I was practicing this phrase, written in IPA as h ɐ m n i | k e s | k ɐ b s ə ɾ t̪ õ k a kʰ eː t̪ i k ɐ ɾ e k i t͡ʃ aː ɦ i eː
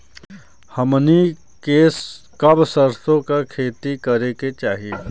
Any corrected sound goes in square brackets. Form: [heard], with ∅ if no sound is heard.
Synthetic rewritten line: h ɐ m n i | k e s | k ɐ b s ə ɾ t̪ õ k a kʰ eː t̪ i k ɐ ɾ e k [e] t͡ʃ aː ɦ i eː